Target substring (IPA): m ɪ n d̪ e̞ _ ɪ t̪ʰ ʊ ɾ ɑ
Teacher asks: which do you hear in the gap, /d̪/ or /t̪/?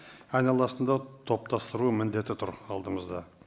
t̪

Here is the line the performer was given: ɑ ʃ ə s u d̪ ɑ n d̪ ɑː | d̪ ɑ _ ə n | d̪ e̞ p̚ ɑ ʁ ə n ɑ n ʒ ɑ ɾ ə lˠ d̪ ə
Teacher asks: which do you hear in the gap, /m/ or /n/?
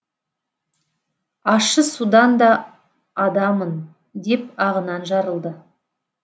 m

